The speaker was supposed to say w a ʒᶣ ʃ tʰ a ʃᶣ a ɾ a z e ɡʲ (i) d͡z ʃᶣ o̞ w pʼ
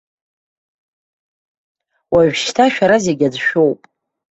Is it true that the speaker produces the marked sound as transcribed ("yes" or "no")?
no